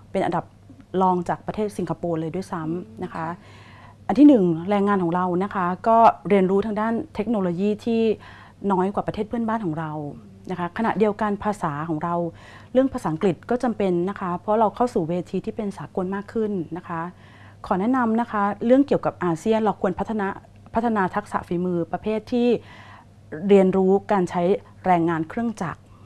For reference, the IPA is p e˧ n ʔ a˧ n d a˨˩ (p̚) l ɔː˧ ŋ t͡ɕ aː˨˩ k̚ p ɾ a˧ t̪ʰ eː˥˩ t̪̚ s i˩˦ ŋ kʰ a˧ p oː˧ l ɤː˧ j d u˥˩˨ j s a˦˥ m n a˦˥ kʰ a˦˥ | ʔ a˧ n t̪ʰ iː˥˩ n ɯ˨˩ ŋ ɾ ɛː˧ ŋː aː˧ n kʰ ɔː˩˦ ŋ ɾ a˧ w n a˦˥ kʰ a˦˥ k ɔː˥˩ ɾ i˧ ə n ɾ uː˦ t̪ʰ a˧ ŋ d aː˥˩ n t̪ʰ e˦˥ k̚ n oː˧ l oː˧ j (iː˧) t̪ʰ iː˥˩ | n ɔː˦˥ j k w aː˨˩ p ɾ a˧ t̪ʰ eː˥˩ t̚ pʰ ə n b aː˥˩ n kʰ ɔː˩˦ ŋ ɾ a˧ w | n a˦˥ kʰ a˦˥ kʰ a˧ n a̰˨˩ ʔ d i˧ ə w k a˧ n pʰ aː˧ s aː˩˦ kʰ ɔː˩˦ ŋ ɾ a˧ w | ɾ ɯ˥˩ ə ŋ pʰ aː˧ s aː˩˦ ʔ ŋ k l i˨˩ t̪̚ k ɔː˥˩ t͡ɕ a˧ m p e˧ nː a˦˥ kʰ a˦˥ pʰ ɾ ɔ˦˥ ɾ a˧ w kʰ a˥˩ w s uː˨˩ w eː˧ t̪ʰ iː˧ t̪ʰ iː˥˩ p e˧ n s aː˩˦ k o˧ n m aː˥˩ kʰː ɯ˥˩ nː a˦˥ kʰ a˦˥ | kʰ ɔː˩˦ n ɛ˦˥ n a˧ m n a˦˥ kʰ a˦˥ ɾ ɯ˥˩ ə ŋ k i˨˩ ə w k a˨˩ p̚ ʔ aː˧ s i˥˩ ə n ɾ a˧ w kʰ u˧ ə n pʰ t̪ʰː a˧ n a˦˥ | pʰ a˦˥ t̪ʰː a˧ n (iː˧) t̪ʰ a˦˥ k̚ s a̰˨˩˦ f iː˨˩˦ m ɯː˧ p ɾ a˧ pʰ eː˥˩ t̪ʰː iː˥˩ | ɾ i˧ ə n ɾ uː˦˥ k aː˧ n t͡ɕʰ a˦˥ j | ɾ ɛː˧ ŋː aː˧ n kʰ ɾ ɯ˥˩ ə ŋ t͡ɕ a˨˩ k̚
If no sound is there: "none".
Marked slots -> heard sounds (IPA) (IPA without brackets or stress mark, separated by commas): p̚, iː˥˩, aː˧